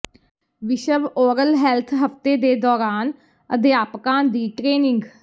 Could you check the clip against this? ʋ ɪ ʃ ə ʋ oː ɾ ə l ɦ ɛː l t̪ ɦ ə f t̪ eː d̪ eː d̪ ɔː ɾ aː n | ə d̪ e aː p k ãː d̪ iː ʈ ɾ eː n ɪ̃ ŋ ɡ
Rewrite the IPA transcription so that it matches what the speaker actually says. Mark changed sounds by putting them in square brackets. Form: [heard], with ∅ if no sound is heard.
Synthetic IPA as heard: ʋ ɪ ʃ ə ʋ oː ɾ ə l ɦ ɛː l [t̪ʰ] ɦ ə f t̪ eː d̪ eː d̪ ɔː ɾ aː n | ə d̪ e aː p k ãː d̪ iː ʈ ɾ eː n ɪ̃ ŋ ɡ